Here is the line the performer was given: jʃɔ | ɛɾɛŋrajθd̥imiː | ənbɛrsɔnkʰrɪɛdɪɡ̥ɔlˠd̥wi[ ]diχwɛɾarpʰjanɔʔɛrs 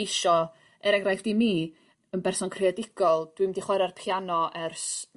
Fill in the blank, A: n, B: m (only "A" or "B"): B